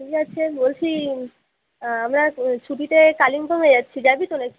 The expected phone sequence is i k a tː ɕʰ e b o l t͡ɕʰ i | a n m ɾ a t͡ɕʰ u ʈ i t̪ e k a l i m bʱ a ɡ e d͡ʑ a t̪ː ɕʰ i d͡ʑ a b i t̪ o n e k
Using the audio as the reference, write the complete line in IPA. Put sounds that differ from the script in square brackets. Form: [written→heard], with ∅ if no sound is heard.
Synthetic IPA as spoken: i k a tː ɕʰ e b o l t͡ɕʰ i | a [n→∅] m ɾ a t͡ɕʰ u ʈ i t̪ e k a l i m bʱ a [ɡ→ŋ] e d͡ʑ a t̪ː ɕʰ i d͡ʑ a b i t̪ o n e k